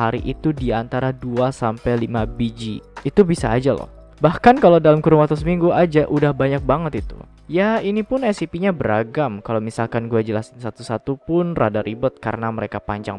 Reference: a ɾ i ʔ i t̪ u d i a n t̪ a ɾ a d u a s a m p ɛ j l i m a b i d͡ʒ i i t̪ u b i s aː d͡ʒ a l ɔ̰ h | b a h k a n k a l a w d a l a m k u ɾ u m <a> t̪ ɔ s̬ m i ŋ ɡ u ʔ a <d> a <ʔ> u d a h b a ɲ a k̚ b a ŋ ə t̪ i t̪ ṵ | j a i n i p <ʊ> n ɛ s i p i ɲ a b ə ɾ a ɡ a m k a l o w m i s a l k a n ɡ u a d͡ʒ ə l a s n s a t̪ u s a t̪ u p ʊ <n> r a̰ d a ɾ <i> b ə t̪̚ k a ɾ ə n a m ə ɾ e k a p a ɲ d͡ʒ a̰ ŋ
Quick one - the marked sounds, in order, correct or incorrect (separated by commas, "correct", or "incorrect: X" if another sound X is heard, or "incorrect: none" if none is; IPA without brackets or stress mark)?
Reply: correct, incorrect: d͡ʒ, correct, correct, correct, correct